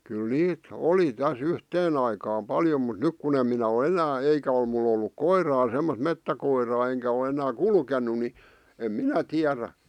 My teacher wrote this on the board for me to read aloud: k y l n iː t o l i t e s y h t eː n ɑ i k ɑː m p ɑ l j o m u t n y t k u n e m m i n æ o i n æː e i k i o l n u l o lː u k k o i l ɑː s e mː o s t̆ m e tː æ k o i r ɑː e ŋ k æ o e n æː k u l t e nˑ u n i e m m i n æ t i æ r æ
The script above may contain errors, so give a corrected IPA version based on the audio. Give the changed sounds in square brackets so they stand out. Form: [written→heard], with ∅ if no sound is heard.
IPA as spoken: k y l n iː t o l i t [e→æ] s y h t eː n ɑ i k ɑː m p ɑ l j o m u t n y [t→k] k u n e m m i n æ o [i→e] n æː e i k [i→æ] o l [n→m] u l o lː u k k o i [l→r] ɑː s e mː o s t̆ m e tː æ k o i r ɑː e ŋ k æ o e n æː k u l [t→k] e nˑ u n i e m m i n æ t i æ r æ